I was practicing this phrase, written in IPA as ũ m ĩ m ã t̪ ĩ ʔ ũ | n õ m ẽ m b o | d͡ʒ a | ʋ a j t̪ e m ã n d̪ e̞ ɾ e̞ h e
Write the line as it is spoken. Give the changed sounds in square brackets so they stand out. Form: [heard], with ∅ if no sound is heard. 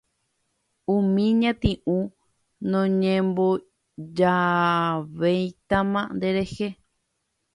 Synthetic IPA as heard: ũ m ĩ [ɲ] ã t̪ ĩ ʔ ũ | n õ [ɲ] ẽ m b o | d͡ʒ a | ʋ [e] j t̪ [a] m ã n d̪ e̞ ɾ e̞ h e

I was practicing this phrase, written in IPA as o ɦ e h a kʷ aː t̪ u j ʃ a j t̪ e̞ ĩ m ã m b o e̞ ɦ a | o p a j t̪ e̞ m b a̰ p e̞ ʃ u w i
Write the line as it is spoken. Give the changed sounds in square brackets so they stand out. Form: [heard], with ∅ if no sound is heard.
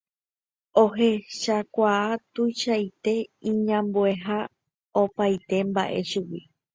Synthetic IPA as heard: o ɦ e [ʃ] a kʷ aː t̪ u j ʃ a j t̪ e̞ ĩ [ɲ] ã m b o e̞ ɦ a | o p a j t̪ e̞ m b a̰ [ʔ] e̞ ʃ u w i

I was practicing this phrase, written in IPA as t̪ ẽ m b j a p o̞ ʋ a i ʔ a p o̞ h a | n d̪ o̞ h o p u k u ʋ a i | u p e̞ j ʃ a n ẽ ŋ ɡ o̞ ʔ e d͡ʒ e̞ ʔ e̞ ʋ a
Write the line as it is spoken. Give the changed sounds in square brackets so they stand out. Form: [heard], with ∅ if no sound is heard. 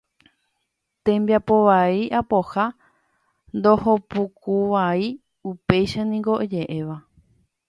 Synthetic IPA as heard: t̪ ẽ m b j a p o̞ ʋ a i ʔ a p o̞ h a | n d̪ o̞ h o p u k u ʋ a i | u p e̞ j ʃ a n [ĩ] ŋ ɡ o̞ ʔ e d͡ʒ e̞ ʔ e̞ ʋ a

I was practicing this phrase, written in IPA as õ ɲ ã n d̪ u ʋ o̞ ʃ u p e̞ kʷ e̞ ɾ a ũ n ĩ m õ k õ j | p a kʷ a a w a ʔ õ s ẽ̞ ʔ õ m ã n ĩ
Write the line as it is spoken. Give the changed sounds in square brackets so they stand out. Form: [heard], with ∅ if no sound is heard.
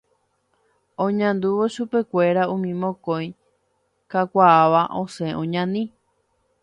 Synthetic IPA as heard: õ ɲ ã n d̪ u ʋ o̞ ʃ u p e̞ kʷ e̞ ɾ a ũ [m] ĩ m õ k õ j | [k] a kʷ a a [ʋ] a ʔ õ s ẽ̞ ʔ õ [ɲ] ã n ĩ

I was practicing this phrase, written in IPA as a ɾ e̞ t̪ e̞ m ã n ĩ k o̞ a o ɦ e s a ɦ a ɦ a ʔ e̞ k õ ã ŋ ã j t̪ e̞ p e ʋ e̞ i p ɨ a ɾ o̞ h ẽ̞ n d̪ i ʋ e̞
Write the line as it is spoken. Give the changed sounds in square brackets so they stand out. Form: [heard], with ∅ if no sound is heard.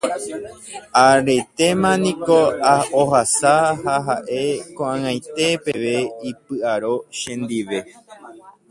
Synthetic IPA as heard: a ɾ e̞ t̪ e̞ m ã n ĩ k o̞ a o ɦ [a] s a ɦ a ɦ a ʔ e̞ k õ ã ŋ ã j t̪ e̞ p e ʋ e̞ i p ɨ a ɾ o̞ [ʃ] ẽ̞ n d̪ i ʋ e̞

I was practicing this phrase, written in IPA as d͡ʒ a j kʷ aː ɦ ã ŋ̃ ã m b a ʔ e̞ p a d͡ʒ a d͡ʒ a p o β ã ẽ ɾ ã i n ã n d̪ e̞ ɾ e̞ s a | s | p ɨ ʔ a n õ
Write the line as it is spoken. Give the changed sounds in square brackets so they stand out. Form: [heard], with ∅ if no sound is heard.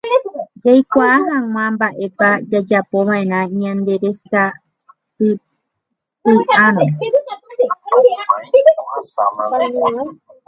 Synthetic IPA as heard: d͡ʒ a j kʷ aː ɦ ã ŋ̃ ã m b a ʔ e̞ p a d͡ʒ a d͡ʒ a p o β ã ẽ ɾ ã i [ɲ] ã n d̪ e̞ ɾ e̞ s a | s | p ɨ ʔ a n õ

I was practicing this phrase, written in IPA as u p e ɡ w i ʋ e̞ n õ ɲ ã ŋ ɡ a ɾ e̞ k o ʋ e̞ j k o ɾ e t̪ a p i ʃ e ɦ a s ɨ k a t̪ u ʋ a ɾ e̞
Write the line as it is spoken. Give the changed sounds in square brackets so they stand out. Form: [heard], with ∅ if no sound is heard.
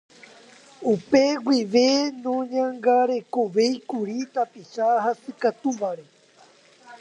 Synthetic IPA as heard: u p e ɡ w i ʋ e̞ n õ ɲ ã ŋ ɡ a ɾ e̞ k o ʋ e̞ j k [u] ɾ [i] t̪ a p i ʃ [a] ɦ a s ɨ k a t̪ u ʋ a ɾ e̞

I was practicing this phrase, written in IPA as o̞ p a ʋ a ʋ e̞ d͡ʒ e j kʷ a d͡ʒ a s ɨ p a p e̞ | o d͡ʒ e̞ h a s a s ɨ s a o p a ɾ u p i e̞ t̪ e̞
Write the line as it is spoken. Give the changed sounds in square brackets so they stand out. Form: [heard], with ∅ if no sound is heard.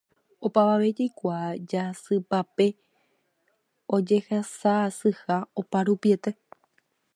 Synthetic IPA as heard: o̞ p a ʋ a ʋ e̞ d͡ʒ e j kʷ a d͡ʒ a s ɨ p a p e̞ | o d͡ʒ e̞ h a s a s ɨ [h] a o p a ɾ u p i e̞ t̪ e̞

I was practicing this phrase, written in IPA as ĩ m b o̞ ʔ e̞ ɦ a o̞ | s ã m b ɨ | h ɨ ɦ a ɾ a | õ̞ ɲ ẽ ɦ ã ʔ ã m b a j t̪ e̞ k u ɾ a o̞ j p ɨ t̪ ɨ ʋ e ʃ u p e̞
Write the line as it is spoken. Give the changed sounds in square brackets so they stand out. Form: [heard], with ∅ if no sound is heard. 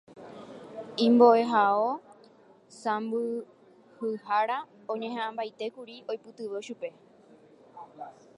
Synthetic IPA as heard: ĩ m b o̞ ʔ e̞ ɦ a o̞ | s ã m b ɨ | h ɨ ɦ a ɾ a | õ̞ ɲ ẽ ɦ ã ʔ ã m b a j t̪ e̞ k u ɾ [i] o̞ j p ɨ t̪ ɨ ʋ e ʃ u p e̞

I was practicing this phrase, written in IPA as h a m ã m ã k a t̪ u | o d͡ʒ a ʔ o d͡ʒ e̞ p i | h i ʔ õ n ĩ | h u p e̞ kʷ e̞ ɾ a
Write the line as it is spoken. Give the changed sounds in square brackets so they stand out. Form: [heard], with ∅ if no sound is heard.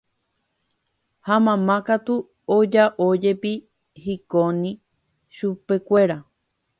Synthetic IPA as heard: h a m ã m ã k a t̪ u | o d͡ʒ a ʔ o d͡ʒ e̞ p i | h i [k] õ n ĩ | [ʃ] u p e̞ kʷ e̞ ɾ a

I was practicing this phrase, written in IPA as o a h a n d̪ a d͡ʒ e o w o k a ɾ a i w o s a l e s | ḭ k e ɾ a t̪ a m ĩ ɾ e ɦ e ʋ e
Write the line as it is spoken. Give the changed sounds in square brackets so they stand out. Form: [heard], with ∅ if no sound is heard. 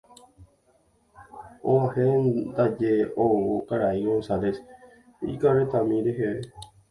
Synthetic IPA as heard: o a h [e] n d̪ a d͡ʒ e o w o k a ɾ a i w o s a l e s | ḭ k [a] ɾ [e] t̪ a m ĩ ɾ e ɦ e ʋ e

